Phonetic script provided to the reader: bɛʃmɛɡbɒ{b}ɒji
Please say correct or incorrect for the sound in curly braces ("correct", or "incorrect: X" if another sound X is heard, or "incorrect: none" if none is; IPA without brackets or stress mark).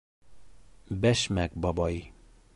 correct